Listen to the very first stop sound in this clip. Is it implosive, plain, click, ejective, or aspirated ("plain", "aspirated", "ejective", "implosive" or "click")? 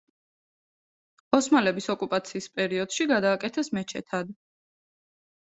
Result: plain